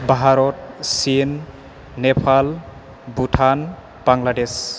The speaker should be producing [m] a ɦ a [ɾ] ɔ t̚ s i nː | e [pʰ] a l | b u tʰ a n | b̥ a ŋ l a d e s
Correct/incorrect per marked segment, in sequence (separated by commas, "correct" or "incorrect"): incorrect, correct, correct